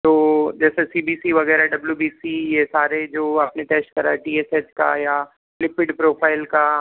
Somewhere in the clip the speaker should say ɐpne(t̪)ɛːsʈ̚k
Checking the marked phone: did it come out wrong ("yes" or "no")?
no